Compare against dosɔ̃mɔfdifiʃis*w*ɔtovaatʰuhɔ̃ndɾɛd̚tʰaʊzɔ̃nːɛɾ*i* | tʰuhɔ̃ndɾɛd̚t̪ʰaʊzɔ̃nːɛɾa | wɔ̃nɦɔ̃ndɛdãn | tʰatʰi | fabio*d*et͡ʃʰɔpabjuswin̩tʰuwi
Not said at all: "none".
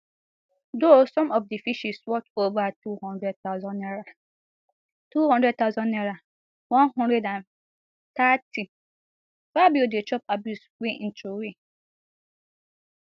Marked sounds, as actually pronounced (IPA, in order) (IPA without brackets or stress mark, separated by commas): w, a, d